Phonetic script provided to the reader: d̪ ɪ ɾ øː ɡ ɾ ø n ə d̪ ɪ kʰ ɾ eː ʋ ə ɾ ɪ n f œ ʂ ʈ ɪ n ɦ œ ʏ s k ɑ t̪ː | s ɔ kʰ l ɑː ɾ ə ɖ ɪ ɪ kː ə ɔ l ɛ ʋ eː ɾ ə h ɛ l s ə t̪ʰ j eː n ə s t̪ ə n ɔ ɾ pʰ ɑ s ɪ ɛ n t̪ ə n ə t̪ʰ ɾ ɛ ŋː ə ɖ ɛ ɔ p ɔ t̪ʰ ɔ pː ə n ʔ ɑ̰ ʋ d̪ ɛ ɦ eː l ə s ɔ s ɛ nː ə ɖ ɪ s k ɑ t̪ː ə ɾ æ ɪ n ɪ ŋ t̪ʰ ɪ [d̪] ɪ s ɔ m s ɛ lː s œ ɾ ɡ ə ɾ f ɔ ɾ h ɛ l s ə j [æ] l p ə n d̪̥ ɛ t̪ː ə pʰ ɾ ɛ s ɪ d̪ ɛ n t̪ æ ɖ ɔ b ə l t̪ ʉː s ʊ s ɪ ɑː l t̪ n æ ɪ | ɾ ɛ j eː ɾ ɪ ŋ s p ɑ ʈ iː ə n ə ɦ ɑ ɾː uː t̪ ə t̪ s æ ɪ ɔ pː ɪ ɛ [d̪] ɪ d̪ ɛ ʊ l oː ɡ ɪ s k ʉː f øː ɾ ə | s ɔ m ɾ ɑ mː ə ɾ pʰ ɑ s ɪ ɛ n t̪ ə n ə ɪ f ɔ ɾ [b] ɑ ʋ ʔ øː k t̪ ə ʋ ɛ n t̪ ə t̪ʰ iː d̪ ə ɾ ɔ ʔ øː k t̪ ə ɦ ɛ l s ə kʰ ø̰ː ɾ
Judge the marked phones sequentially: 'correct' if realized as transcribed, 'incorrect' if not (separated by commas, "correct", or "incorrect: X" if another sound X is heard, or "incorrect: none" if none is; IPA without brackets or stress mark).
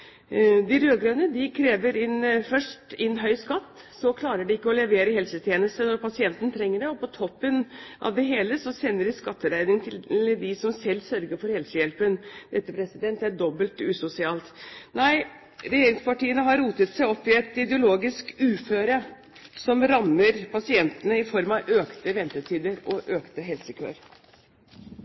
correct, incorrect: ɛ, incorrect: t̪, incorrect: m